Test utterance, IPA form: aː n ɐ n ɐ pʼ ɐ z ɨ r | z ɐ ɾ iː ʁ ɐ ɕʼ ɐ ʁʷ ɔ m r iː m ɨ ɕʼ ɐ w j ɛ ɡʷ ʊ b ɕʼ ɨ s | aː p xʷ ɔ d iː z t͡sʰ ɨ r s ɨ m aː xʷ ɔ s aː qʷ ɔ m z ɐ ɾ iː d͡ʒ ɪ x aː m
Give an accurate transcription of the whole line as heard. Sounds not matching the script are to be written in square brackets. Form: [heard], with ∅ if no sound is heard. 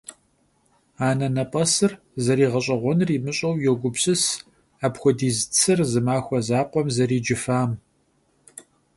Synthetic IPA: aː n ɐ n ɐ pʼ ɐ [s] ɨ r | z ɐ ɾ iː ʁ ɐ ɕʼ ɐ ʁʷ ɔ [n] r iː m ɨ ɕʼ ɐ w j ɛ ɡʷ ʊ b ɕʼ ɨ s | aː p xʷ ɔ d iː z t͡sʰ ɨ r [z] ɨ m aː xʷ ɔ [z] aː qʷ ɔ m z ɐ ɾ iː d͡ʒ ɪ [f] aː m